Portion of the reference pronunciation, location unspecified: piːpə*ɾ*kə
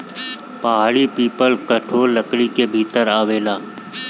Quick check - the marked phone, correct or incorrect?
incorrect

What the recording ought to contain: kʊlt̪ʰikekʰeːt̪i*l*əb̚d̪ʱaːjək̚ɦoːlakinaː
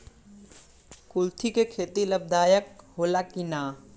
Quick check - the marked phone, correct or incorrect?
correct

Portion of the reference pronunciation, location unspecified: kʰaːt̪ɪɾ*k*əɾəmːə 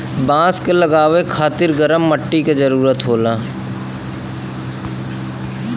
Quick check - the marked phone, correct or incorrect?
incorrect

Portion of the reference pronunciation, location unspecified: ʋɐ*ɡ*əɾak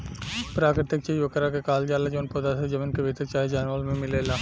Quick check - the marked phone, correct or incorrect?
incorrect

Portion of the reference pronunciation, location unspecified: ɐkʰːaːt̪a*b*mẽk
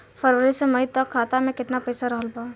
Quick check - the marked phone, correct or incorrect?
incorrect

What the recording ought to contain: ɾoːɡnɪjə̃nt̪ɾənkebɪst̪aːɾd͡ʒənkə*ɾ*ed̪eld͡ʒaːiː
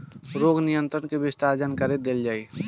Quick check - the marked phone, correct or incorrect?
correct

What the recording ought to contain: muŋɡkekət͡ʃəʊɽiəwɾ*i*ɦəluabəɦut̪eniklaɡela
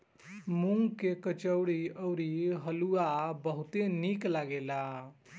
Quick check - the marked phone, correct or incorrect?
correct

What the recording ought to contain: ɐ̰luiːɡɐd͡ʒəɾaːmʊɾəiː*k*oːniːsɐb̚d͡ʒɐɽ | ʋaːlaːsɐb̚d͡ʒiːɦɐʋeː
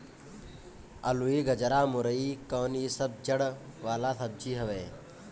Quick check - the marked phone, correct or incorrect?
correct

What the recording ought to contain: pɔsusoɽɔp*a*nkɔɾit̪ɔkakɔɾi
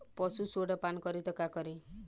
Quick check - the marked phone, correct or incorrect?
correct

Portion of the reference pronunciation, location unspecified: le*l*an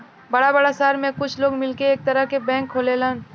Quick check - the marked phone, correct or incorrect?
correct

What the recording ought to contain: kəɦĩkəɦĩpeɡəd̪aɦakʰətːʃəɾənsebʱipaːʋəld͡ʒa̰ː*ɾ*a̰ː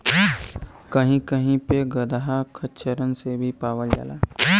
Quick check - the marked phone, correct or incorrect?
incorrect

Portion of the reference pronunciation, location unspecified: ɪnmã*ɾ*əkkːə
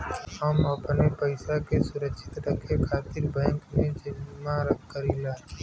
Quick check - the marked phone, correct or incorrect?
correct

